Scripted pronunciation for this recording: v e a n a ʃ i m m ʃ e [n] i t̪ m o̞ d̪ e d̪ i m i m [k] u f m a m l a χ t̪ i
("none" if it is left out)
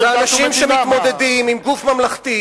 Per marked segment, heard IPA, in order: m, ɡ

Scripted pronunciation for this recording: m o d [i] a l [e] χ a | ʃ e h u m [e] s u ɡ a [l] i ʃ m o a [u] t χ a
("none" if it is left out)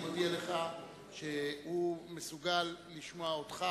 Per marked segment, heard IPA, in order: i, e, e, lː, o

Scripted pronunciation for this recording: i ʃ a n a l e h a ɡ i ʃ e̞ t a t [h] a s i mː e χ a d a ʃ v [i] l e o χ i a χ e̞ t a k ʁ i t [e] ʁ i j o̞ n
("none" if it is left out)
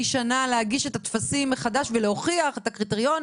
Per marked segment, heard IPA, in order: f, e, e

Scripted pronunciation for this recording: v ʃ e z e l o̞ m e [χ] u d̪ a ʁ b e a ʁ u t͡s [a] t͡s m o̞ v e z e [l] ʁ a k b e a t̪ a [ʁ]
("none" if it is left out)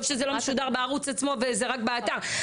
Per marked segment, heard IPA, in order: ʃ, a, none, ʁ

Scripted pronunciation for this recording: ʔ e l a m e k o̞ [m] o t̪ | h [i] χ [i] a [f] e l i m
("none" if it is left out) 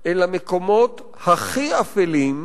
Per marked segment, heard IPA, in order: m, a, i, f

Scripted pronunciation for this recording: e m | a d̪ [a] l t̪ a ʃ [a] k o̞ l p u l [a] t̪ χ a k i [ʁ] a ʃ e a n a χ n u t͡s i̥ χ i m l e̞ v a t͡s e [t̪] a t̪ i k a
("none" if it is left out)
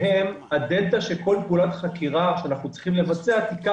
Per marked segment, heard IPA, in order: e, e, a, ʁ, none

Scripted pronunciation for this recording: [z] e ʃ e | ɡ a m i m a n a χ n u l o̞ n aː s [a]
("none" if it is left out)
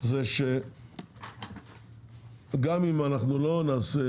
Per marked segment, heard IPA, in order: z, e

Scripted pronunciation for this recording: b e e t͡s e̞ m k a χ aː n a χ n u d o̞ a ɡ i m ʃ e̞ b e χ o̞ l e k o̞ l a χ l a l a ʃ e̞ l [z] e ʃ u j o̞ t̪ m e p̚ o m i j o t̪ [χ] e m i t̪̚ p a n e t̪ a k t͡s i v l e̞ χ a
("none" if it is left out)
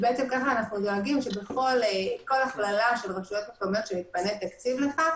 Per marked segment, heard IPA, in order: ʁ, ʃ

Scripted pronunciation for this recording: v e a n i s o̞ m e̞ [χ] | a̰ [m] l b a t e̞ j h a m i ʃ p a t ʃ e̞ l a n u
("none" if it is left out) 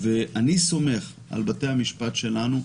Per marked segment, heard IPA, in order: χ, none

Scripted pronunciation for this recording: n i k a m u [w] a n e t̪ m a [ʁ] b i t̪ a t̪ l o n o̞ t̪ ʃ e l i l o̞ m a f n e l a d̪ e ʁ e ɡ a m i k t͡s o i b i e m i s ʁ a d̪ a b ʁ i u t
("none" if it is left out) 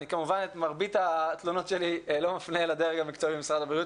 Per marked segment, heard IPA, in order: v, ʁ

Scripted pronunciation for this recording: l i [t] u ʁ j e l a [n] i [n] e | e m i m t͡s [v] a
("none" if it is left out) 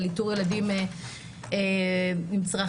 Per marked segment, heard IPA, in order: t, d, m, ʁ

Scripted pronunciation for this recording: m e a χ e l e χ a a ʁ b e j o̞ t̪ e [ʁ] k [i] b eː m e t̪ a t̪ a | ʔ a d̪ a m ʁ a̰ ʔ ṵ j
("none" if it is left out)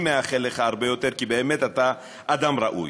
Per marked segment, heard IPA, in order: ʁ, i

